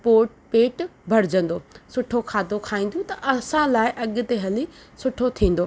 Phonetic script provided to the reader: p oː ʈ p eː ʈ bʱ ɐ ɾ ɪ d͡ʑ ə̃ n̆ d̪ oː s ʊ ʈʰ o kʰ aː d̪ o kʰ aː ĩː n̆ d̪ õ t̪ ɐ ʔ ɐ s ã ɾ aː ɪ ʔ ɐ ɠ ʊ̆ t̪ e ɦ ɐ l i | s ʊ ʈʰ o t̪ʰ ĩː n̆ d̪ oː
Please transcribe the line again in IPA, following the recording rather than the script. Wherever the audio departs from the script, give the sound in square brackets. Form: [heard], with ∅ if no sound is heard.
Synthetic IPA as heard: p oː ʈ p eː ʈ bʱ ɐ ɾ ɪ d͡ʑ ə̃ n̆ d̪ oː s ʊ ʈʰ o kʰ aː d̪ o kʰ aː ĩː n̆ d̪ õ t̪ ɐ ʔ ɐ s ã [l] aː ɪ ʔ ɐ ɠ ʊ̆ t̪ e ɦ ɐ l i | s ʊ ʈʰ o t̪ʰ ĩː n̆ d̪ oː